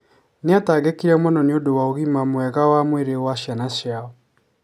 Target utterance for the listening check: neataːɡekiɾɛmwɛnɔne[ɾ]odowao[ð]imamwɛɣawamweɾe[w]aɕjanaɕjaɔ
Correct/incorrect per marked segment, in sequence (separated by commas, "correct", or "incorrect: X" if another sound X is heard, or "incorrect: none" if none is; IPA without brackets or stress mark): incorrect: none, incorrect: ɣ, correct